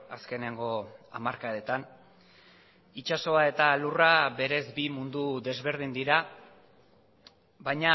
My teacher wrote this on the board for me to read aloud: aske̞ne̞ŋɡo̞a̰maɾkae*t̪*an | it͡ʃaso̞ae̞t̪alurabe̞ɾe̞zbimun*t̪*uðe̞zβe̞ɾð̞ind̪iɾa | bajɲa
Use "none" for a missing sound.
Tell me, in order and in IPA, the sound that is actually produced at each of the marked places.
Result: t̪, d̪

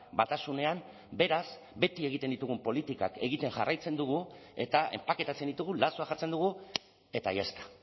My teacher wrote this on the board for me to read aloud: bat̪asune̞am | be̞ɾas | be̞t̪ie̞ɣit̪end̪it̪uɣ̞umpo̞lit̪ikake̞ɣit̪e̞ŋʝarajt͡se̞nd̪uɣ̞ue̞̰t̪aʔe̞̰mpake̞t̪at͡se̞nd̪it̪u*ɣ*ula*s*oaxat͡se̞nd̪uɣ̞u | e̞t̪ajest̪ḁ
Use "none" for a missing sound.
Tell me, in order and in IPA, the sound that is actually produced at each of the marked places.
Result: ɣ, s

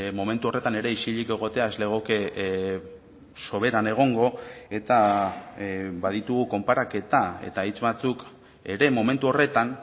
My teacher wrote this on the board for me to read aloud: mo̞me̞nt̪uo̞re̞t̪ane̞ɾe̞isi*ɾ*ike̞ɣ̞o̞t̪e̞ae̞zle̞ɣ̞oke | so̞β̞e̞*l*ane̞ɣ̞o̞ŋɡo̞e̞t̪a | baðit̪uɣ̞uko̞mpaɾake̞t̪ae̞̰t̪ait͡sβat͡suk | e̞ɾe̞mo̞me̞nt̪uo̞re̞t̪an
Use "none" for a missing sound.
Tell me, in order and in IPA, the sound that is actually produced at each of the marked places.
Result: ʎ, ɾ

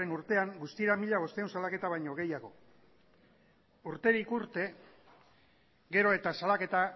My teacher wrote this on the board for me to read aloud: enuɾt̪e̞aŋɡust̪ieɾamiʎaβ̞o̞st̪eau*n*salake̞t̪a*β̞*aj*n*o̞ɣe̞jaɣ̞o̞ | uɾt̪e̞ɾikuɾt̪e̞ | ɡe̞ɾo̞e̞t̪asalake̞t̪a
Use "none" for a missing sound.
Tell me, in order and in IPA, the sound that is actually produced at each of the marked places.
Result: n, β̞, ɲ

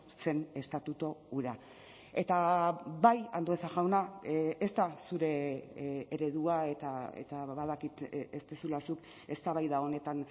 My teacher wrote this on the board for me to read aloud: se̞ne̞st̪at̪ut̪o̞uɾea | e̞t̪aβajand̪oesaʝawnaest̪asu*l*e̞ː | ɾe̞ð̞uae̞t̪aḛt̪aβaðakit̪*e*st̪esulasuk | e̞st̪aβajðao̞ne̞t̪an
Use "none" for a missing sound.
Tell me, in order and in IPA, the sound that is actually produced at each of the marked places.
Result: ɾ, e

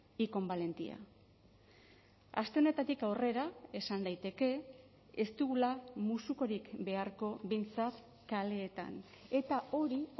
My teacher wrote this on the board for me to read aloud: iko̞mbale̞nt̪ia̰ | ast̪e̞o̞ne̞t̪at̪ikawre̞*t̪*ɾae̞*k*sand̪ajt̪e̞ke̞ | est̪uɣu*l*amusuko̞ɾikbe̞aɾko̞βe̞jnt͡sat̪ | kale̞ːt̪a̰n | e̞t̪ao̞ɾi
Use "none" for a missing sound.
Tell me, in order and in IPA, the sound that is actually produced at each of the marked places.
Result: none, none, l

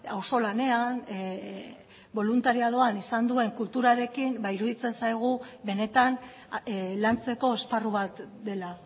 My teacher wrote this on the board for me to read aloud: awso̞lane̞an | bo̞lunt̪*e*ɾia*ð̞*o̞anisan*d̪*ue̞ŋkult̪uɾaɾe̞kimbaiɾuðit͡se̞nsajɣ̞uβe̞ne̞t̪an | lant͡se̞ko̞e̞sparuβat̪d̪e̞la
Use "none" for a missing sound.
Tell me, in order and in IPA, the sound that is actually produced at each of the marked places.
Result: a, ð̞, d̪

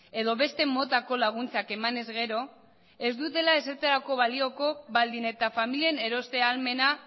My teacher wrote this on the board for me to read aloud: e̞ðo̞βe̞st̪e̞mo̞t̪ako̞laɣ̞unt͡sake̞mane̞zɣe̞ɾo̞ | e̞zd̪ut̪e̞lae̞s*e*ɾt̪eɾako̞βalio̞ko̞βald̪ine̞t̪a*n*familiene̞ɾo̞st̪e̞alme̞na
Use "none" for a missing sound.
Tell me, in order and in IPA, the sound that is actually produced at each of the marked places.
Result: e, none

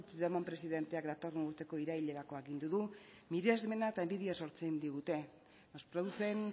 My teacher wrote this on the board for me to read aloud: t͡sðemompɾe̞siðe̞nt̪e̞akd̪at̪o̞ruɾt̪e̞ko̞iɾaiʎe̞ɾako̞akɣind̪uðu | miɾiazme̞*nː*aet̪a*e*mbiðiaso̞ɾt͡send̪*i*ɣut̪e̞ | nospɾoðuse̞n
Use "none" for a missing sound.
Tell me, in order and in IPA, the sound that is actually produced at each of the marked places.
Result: n, e, i

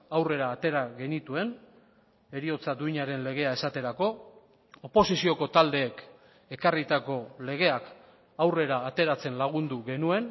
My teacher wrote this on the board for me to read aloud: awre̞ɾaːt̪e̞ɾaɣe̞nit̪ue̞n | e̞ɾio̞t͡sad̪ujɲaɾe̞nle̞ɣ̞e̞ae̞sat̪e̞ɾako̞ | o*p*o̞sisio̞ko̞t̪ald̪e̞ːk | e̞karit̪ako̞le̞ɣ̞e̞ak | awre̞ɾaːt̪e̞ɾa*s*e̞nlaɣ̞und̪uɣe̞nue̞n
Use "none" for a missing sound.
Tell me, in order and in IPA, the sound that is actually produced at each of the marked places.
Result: p, t͡s

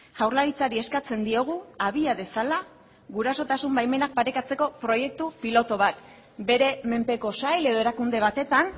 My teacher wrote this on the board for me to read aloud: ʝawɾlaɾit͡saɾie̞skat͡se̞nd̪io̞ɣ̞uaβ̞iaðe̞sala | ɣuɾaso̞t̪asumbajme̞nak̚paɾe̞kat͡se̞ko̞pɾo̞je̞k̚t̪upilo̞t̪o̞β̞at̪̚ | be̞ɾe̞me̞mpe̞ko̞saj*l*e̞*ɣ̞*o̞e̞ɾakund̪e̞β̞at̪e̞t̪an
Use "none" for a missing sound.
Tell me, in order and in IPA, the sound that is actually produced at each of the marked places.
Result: l, ð̞

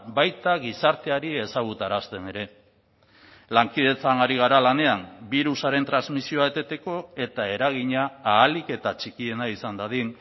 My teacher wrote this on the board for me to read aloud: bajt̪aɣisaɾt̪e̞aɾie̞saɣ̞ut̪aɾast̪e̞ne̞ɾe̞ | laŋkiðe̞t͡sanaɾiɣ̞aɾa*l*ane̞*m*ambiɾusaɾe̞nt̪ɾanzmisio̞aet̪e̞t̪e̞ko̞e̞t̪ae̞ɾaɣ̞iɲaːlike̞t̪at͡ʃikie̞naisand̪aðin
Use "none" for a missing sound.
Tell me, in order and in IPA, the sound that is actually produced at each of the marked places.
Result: l, none

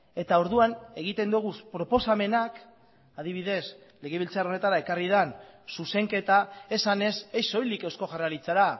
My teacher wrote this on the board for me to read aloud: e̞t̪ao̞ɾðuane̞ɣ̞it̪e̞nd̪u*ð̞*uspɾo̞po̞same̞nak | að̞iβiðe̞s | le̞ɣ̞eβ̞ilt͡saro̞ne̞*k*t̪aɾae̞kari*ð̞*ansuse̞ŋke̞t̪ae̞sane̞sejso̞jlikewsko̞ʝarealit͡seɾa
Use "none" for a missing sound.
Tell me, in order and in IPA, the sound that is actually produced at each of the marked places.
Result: ɣ̞, none, ð̞

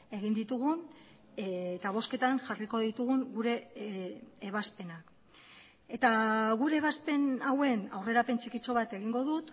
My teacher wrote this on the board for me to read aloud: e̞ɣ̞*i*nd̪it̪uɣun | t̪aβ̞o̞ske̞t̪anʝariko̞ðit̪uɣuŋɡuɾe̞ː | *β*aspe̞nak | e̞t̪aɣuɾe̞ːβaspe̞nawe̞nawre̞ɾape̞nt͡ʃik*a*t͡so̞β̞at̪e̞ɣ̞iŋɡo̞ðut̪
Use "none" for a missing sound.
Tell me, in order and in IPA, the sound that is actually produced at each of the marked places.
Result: i, β, i

